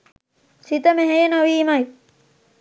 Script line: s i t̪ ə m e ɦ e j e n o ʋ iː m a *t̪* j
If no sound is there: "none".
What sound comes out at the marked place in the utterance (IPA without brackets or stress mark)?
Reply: none